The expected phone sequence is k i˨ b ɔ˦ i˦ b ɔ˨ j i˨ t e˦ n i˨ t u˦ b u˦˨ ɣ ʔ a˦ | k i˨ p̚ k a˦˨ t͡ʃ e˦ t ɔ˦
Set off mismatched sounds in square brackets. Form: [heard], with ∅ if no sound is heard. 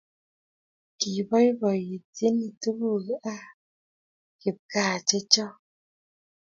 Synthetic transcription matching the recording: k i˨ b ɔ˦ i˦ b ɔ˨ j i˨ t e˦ n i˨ t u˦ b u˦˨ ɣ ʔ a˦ | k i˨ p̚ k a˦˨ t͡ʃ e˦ [t͡ʃ] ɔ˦